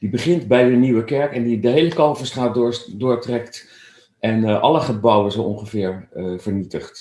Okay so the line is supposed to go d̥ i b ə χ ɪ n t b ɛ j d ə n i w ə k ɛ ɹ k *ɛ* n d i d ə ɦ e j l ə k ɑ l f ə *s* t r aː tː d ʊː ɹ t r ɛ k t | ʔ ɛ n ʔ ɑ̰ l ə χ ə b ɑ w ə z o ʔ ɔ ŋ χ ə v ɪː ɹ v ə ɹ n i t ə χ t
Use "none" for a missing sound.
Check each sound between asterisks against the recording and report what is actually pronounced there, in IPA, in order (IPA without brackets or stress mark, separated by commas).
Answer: ɛ, s